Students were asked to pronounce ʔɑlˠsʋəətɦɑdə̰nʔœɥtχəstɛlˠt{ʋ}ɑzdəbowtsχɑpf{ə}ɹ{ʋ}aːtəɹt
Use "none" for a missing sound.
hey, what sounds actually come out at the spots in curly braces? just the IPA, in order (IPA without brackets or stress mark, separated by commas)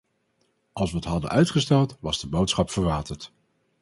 ʋ, ə, ʋ